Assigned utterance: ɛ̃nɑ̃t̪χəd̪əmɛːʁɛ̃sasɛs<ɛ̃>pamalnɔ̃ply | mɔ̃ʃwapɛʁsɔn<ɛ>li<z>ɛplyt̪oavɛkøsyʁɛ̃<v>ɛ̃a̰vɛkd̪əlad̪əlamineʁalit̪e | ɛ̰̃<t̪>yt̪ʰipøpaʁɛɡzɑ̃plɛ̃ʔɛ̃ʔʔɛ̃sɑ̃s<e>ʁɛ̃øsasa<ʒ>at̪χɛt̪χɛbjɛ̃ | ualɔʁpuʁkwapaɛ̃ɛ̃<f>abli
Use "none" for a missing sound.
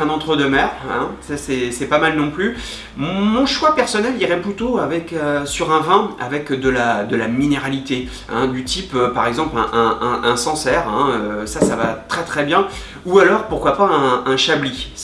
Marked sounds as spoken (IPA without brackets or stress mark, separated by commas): ɛ, ɛ, ʁ, v, d̪, ɛ, v, ʃ